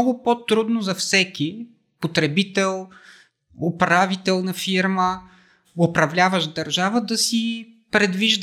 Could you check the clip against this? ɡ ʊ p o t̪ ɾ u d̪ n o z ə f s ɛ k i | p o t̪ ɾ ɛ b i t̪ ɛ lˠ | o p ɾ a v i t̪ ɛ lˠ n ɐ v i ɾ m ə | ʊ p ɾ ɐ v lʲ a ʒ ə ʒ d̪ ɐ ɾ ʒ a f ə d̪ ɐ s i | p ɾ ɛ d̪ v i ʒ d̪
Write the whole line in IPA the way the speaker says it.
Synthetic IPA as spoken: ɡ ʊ p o t̪ ɾ u d̪ n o z ɐ f s ɛ k i | p o t̪ ɾ ɛ b i t̪ ɛ lˠ | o p ɾ a v i t̪ ɛ lˠ n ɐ f i ɾ m ə | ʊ p ɾ ɐ v lʲ a v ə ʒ d̪ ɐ ɾ ʒ a v ə d̪ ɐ s i | p ɾ ɛ d̪ v i ʒ d̪